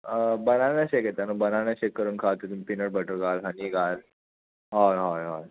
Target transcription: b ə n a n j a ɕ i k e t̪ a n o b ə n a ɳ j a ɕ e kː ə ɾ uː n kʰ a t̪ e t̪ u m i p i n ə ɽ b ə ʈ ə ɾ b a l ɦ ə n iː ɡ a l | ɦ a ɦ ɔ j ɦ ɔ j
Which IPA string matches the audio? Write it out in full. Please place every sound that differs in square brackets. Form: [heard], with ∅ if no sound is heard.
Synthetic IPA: b ə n a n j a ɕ [e] k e t̪ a n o b ə n a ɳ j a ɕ e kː ə ɾ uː n kʰ a t̪ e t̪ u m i p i n ə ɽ b ə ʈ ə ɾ [ɡ] a l ɦ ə n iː ɡ a l | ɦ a ɦ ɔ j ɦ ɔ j